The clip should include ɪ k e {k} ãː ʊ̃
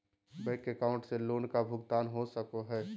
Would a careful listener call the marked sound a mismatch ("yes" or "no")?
no